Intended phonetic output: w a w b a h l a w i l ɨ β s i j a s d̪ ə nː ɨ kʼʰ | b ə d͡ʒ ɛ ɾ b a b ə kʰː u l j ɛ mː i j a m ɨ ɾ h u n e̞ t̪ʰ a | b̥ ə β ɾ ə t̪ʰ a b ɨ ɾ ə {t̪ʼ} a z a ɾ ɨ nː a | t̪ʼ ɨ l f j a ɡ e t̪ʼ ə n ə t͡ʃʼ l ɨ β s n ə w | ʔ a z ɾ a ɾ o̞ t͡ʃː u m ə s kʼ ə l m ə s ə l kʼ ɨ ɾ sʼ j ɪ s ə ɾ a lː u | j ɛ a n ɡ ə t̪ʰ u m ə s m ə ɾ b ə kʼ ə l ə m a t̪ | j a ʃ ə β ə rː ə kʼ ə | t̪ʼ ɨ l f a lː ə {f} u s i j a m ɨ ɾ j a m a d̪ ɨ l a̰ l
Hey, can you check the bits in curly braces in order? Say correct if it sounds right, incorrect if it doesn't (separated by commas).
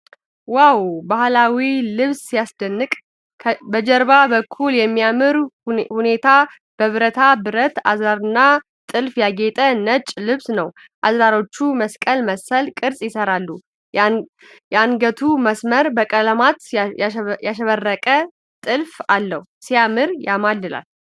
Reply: incorrect, incorrect